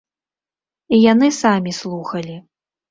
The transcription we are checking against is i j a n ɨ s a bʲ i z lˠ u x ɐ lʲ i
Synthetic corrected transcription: i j a n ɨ s a mʲ i s lˠ u x ɐ lʲ i

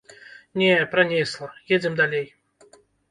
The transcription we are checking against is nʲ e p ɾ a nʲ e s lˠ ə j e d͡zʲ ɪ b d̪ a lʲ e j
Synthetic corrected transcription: nʲ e p ɾ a nʲ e s lˠ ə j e d͡zʲ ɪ m d̪ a lʲ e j

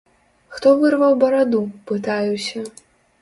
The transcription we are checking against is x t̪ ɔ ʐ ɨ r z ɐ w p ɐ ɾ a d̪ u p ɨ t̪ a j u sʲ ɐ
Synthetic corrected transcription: x t̪ ɔ v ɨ r v ɐ w b ɐ ɾ a d̪ u p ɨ t̪ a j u sʲ ɐ

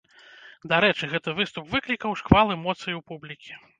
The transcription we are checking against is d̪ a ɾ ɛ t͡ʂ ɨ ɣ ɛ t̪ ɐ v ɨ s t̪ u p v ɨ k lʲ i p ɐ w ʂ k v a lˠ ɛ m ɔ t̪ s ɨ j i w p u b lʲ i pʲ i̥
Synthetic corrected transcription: d̪ a ɾ ɛ t͡ʂ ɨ ɣ ɛ t̪ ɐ v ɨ s t̪ u p v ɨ k lʲ i k ɐ w ʂ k v a lˠ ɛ m ɔ t̪ s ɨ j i w p u b lʲ i kʲ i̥

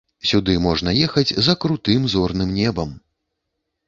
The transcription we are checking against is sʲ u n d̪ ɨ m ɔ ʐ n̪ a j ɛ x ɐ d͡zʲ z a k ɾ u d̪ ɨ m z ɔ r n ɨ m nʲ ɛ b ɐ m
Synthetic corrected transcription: sʲ u d̪ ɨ m ɔ ʐ n̪ ɐ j ɛ x ɐ d͡zʲ z ɐ k ɾ u t̪ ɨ m z ɔ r n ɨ m nʲ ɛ b ɐ m

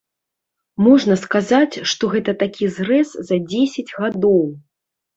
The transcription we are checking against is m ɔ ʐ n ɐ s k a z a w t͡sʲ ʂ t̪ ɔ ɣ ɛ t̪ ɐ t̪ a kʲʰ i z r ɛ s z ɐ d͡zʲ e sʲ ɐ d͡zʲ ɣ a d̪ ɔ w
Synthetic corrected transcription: m ɔ ʐ n ɐ s k a z a t͡sʲ ʂ t̪ ɔ ɣ ɛ t̪ ɐ t̪ a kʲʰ i z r ɛ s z ɐ d͡zʲ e sʲ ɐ d͡zʲ ɣ a d̪ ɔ w

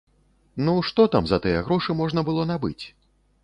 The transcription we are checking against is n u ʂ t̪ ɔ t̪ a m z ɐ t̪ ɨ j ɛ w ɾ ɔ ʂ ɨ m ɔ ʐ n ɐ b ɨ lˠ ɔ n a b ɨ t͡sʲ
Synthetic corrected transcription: n u ʂ t̪ ɔ t̪ a m z ɐ t̪ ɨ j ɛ ɣ ɾ ɔ ʂ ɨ m ɔ ʐ n ɐ b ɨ lˠ ɔ n a b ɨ t͡sʲ

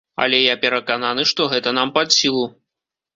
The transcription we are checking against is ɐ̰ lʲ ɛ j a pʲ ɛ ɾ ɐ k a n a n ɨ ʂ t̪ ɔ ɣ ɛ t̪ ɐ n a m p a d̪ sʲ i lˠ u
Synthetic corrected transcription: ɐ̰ lʲ ɛ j a pʲ ɛ ɾ ɐ k a n a n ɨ ʂ t̪ ɔ ɣ ɛ t̪ ɐ n a m p a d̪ sʲ i lˠ u

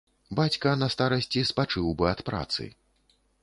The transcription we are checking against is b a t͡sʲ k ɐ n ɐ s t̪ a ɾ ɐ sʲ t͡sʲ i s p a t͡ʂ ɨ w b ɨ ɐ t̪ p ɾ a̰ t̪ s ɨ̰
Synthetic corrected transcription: b a t͡sʲ k ɐ n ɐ s t̪ a ɾ ɐ sʲ t͡sʲ i s p a t͡ʂ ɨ w b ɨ ɐ t̪ p ɾ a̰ t̪ s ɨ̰

